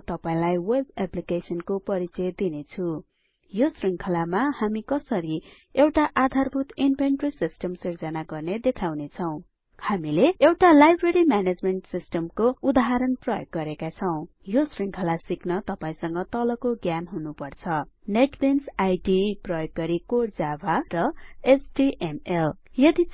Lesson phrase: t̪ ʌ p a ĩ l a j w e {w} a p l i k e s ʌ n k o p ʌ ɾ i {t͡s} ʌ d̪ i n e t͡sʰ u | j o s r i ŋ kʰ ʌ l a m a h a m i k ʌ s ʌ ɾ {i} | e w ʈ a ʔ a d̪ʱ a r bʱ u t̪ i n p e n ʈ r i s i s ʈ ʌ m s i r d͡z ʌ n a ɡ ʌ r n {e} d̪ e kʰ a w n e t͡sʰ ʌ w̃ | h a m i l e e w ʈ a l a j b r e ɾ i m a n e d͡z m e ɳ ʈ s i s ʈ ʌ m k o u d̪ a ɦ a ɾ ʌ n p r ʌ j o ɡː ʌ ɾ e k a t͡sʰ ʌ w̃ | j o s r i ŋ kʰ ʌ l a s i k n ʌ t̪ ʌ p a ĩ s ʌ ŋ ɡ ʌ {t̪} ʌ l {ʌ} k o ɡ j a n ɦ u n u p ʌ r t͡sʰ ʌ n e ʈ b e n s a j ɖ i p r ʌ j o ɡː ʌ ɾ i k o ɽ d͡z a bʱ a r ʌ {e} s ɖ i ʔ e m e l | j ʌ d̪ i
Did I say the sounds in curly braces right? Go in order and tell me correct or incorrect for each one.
incorrect, correct, correct, correct, correct, correct, correct

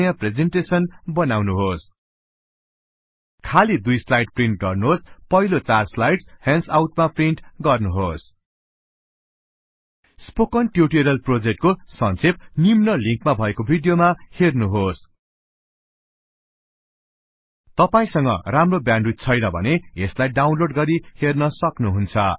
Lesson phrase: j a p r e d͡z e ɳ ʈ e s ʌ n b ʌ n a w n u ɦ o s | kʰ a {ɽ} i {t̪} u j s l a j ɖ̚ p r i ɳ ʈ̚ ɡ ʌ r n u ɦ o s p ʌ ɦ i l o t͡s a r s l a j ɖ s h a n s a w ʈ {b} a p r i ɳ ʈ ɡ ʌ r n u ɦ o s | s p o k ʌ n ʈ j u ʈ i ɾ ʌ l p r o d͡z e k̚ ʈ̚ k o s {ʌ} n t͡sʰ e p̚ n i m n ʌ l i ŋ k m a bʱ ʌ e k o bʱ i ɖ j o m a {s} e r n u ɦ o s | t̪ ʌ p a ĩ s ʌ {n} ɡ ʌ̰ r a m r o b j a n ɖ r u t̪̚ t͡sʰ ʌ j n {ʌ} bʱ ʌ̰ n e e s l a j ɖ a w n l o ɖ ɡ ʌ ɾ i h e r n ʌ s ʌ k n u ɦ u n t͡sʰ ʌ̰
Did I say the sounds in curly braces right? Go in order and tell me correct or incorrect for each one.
incorrect, incorrect, incorrect, correct, incorrect, incorrect, correct

